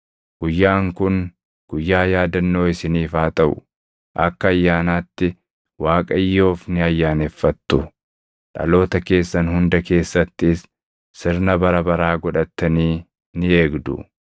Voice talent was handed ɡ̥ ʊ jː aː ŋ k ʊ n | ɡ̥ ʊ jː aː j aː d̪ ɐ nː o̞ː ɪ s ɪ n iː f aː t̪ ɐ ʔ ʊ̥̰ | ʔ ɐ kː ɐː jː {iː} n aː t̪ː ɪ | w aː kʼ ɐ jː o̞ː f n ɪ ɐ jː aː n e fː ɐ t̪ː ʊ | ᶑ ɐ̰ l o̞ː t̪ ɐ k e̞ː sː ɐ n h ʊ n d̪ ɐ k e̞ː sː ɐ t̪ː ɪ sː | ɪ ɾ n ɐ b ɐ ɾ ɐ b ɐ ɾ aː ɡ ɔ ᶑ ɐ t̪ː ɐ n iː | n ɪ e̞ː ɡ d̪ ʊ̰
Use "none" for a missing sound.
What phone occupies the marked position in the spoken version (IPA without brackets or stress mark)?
aː